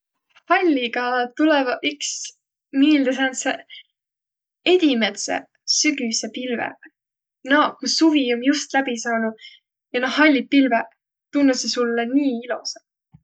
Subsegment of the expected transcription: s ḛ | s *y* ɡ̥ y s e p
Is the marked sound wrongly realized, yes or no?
no